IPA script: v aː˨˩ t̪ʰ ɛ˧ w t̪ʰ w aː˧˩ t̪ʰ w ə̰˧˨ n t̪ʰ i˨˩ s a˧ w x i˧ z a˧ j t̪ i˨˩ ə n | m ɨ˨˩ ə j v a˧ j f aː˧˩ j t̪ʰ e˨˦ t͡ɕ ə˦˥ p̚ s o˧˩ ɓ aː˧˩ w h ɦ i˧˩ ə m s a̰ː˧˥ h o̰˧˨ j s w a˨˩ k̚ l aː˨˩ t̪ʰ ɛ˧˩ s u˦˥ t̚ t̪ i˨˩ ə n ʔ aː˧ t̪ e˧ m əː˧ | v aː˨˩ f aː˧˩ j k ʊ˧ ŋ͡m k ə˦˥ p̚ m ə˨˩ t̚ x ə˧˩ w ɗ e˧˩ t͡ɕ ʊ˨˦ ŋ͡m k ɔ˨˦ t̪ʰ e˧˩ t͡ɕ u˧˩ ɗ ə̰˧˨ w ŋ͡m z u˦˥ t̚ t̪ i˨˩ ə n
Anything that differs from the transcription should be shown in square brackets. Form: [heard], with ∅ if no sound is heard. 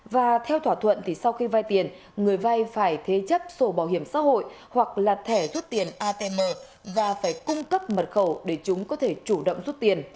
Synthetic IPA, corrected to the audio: v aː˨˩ t̪ʰ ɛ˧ w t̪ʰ w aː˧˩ t̪ʰ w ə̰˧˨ n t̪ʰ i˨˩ s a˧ w x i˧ [v] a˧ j t̪ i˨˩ ə n | [ŋ] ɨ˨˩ ə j v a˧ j f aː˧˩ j t̪ʰ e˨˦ t͡ɕ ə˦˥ p̚ s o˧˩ ɓ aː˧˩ w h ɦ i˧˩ ə m s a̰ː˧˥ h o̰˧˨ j [h] w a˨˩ k̚ l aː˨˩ t̪ʰ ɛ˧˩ [z] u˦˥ t̚ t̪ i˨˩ ə n ʔ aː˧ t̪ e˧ m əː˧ | v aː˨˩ f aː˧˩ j k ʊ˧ ŋ͡m k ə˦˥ p̚ m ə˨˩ t̚ x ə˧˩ w ɗ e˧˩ t͡ɕ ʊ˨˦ ŋ͡m k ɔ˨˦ t̪ʰ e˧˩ t͡ɕ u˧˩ ɗ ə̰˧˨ w ŋ͡m z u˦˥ t̚ t̪ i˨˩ ə n